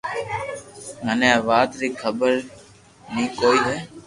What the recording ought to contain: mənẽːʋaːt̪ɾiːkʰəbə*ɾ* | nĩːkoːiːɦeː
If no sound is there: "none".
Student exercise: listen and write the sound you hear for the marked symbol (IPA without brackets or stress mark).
ɾ